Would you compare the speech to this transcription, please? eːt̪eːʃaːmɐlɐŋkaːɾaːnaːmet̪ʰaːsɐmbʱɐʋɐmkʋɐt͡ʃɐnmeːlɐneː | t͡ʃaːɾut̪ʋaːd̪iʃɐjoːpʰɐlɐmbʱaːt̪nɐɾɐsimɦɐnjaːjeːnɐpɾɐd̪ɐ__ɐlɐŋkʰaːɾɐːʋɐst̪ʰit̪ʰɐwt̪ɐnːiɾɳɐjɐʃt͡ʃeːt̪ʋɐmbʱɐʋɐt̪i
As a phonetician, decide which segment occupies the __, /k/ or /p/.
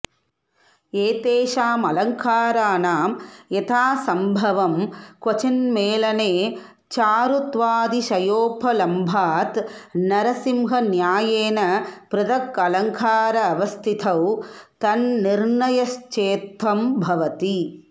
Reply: k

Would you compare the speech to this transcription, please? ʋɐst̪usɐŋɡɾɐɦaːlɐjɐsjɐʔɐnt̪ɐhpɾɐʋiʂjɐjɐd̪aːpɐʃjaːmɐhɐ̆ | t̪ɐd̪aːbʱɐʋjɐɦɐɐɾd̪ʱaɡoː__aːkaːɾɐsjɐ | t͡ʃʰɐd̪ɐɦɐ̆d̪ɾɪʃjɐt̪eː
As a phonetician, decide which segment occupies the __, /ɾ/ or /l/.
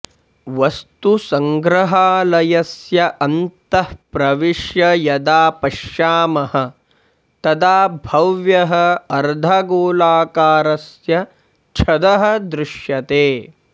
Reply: l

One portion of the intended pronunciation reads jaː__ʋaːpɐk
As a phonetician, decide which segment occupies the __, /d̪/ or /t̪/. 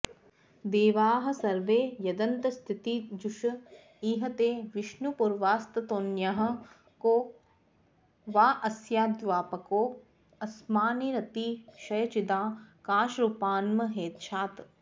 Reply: d̪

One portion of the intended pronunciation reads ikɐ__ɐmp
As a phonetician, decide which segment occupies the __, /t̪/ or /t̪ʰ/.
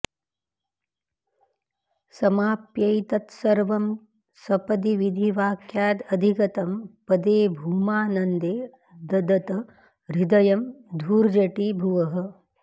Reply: t̪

